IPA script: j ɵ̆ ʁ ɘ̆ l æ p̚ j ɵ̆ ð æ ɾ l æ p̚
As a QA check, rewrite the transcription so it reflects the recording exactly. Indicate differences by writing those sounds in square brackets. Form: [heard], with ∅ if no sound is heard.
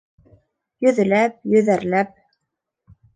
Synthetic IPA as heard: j ɵ̆ [ð] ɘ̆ l æ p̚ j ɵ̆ ð æ ɾ l æ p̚